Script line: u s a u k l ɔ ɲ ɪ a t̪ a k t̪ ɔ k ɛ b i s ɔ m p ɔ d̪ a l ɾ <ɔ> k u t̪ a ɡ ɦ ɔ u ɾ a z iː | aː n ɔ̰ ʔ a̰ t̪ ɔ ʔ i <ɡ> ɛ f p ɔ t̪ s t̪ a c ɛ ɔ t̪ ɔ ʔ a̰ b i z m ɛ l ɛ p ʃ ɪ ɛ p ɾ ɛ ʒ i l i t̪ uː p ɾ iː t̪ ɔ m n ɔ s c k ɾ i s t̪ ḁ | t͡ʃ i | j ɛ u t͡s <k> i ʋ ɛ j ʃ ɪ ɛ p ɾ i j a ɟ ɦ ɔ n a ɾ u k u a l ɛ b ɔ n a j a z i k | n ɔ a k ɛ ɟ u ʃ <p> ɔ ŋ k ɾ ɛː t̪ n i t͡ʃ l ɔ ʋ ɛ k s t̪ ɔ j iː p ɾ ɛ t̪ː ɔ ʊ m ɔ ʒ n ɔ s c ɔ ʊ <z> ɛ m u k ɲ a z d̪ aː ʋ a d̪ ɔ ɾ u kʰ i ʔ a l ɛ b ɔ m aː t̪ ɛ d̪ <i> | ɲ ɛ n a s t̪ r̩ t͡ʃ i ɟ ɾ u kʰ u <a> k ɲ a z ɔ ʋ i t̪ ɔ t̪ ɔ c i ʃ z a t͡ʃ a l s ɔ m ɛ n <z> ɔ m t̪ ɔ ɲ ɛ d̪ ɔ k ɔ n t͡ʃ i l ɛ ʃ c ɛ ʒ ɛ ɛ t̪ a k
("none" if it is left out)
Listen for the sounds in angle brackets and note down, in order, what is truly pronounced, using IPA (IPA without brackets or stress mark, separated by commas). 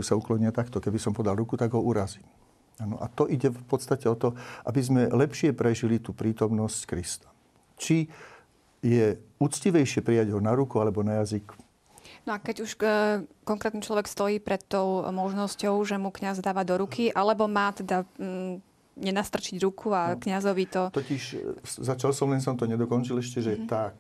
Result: u, ɟ, c, k, ʒ, a, a, s